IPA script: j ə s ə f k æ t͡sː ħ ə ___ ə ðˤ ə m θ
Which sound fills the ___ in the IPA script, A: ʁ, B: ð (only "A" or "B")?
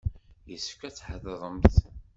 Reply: B